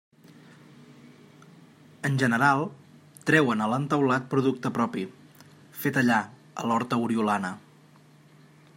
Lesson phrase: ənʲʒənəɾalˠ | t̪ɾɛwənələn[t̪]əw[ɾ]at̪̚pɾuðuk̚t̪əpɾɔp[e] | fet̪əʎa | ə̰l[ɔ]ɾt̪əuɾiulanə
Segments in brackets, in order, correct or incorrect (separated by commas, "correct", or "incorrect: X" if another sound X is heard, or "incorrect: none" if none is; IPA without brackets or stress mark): correct, incorrect: l, incorrect: i, correct